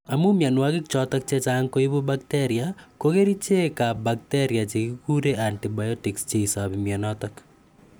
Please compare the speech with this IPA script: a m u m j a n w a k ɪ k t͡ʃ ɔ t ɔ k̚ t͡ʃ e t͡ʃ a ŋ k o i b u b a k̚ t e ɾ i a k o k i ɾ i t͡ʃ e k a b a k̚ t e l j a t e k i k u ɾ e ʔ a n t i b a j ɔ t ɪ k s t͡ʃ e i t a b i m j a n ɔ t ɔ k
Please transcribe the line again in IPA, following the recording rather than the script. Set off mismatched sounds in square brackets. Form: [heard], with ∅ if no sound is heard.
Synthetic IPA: a m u m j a n w a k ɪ k t͡ʃ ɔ t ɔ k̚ t͡ʃ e t͡ʃ a ŋ k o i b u b a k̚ t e ɾ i a k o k [e] ɾ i t͡ʃ e k a b a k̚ t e [ɾ] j a [t͡ʃ] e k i k u ɾ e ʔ a n t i b a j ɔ t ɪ k s t͡ʃ e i [s] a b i m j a n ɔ t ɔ k